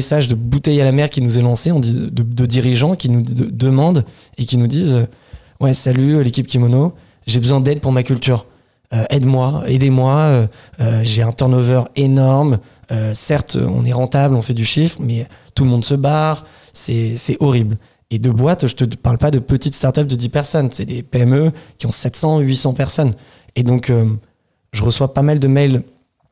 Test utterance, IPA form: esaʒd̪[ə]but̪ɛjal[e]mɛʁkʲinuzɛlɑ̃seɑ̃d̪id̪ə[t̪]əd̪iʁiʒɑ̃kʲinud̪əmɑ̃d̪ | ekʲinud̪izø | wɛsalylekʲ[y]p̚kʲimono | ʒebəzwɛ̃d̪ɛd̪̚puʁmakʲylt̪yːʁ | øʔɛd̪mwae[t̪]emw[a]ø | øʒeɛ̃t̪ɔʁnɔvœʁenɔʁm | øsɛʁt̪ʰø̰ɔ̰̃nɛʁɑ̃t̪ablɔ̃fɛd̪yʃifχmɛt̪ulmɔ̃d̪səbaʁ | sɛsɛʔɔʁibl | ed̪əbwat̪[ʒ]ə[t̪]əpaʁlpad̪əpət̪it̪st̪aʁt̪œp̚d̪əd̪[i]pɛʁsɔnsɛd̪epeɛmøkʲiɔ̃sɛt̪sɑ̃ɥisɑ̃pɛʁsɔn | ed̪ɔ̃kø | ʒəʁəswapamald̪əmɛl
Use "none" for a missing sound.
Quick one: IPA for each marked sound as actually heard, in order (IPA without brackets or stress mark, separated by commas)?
ə, a, d̪, i, d̪, a, ʒ, t̪, i